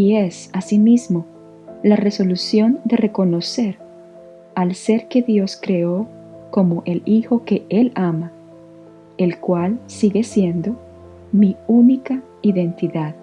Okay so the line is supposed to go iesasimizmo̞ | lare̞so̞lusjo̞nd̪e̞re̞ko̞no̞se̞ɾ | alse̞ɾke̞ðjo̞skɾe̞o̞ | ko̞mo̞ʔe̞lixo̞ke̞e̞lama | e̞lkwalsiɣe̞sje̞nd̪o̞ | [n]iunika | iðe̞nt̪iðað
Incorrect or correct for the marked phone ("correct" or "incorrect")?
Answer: incorrect